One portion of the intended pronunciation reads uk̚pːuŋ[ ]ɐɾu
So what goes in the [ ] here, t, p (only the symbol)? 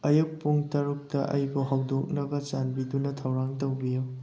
t